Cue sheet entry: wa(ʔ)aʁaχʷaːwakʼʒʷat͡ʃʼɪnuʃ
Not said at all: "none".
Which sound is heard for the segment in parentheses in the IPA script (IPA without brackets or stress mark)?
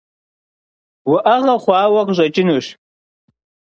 ʔ